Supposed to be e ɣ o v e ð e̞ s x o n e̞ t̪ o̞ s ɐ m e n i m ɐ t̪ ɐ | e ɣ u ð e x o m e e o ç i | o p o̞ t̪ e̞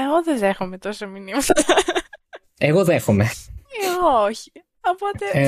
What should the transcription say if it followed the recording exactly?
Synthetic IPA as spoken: e ɣ o ð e ð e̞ x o m e̞ t̪ o̞ s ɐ m i n i m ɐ t̪ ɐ | e ɣ o ð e x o m e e o ç i | o p o̞ t̪ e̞